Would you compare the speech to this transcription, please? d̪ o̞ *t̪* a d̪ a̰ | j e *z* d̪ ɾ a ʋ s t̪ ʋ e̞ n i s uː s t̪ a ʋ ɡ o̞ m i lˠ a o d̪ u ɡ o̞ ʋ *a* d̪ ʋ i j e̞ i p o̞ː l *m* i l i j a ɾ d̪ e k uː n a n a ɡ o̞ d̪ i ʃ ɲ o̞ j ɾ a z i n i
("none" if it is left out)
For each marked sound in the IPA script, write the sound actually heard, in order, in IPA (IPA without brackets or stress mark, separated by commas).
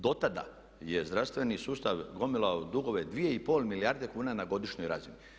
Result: t̪, z, e, m